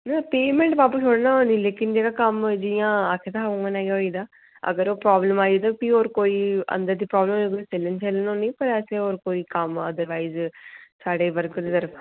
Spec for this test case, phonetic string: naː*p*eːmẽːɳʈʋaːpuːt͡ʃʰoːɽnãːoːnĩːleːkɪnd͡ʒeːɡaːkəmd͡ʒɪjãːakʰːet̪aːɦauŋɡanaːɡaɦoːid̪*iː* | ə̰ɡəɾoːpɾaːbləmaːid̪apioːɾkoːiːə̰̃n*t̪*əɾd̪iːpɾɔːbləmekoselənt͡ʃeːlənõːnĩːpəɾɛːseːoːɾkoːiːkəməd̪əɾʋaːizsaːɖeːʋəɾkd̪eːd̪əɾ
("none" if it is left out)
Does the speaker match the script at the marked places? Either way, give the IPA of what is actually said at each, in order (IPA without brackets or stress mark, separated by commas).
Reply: p, aː, d̪